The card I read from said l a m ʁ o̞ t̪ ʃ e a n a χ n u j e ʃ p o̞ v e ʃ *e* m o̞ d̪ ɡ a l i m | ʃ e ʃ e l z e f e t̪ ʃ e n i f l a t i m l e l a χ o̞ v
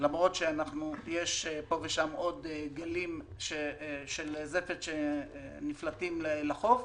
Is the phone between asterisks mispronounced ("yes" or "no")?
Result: yes